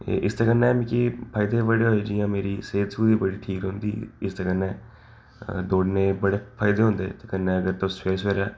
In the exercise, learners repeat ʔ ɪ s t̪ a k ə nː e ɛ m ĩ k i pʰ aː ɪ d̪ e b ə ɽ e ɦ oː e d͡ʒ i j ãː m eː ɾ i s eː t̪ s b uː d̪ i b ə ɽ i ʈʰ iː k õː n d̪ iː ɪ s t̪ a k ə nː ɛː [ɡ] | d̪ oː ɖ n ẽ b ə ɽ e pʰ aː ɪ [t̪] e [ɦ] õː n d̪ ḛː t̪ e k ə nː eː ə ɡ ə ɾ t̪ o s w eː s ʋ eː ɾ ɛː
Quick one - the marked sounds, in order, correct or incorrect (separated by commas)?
incorrect, incorrect, correct